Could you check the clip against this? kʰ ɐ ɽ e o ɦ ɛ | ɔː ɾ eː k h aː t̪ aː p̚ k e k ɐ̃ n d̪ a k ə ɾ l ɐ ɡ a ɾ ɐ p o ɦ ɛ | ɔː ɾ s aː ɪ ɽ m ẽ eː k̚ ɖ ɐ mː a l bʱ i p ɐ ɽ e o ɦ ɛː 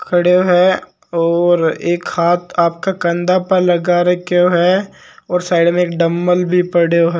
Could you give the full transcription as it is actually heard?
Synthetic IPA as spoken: kʰ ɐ ɽ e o ɦ ɛ | ɔː ɾ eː k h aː t̪ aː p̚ k a k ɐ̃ n d̪ a p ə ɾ l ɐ ɡ a ɾ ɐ k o ɦ ɛ | ɔː ɾ s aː ɪ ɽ m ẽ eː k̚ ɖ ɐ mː ə l bʱ i p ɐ ɽ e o ɦ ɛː

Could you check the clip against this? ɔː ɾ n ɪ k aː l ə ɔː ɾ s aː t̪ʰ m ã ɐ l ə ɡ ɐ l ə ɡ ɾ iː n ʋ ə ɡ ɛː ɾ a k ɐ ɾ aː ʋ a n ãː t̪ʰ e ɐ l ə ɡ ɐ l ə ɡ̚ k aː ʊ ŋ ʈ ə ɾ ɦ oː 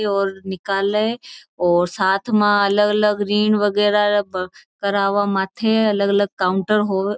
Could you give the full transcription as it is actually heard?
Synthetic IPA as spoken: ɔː ɾ n ɪ k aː l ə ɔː ɾ s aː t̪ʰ m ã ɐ l ə ɡ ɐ l ə ɡ ɾ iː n ʋ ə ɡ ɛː ɾ a k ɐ ɾ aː ʋ a m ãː t̪ʰ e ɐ l ə ɡ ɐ l ə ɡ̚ k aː ʊ ɳ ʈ ə ɾ ɦ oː

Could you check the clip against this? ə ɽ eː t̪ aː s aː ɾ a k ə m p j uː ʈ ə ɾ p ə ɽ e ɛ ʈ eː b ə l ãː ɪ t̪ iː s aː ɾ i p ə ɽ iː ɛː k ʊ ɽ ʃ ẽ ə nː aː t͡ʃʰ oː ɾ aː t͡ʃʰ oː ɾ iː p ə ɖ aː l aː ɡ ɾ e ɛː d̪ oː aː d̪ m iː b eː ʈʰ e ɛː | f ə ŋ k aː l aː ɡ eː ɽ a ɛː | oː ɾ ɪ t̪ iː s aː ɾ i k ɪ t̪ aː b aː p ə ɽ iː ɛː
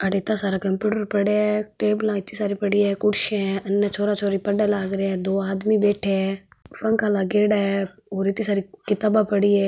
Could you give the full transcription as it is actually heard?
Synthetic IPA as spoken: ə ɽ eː t̪ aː s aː ɾ a k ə m p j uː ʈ ə ɾ p ə ɽ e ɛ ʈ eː b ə l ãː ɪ t̪ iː s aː ɾ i p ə ɽ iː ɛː k ʊ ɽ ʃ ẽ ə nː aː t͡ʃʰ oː ɾ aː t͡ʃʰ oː ɾ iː p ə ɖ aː l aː ɡ ɾ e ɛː d̪ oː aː d̪ m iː b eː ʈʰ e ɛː | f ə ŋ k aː l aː ɡ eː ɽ a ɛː | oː ɾ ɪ t̪ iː s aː ɾ i k ɪ t̪ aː b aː p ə ɽ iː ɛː

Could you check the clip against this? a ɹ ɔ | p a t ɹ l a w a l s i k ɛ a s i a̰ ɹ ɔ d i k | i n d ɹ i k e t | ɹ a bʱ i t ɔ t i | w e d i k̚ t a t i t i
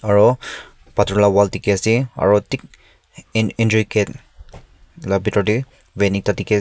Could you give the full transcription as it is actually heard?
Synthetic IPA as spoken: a ɹ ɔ | p a t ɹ l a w a l t i k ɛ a s i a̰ ɹ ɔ t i k | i n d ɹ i k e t | l a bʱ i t ɔ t i | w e n i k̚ t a t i k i

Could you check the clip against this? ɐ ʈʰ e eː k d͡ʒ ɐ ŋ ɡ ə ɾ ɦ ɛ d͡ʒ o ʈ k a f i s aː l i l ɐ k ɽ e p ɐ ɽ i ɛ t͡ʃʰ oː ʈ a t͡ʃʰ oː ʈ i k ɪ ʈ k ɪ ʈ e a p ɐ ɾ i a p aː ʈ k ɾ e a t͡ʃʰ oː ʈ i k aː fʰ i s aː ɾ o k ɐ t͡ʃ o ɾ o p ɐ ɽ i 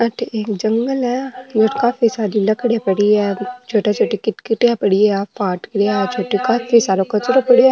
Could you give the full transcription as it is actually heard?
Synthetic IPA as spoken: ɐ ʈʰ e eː k d͡ʒ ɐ ŋ ɡ ə l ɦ ɛ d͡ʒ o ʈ k a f i s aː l i l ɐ k ɽ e p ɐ ɽ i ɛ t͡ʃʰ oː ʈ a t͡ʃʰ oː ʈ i k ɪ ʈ k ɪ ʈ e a p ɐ ɽ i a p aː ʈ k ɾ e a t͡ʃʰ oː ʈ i k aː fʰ i s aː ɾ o k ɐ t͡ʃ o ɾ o p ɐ ɽ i

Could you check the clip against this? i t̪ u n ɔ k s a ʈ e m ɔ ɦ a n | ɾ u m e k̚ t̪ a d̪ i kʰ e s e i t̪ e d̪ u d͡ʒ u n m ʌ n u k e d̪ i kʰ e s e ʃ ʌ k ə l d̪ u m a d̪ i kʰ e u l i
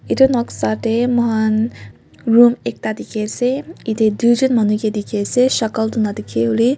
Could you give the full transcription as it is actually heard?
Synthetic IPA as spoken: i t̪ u n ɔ k s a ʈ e m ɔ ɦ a n | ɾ u m e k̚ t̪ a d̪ i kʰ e s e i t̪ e d̪ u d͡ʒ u n m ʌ n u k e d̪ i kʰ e s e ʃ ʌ k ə l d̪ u n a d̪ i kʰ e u l i

